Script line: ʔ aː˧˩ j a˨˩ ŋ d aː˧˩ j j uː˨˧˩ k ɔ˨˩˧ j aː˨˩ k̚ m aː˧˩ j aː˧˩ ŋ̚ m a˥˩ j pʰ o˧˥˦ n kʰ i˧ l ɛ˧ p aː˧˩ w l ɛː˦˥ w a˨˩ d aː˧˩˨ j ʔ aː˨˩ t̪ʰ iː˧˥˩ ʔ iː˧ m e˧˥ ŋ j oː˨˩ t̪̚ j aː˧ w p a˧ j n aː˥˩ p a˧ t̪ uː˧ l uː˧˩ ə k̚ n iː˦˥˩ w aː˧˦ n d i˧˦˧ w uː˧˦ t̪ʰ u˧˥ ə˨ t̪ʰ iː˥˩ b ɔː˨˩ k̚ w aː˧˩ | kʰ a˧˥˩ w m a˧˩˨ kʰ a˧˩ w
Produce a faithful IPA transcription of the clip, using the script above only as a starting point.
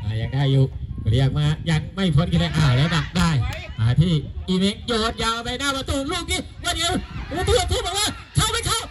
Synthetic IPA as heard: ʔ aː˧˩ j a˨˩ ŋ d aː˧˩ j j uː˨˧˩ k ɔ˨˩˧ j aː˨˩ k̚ m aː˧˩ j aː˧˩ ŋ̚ m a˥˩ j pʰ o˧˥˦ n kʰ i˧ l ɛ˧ ʔ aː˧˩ w l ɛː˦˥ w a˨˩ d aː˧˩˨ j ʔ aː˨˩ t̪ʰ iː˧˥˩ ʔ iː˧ m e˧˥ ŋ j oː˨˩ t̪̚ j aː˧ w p a˧ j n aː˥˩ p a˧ t̪ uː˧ l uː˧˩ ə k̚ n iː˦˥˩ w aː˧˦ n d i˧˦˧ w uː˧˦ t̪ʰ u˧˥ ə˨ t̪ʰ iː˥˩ b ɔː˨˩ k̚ w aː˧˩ | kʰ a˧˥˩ w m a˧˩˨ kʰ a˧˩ w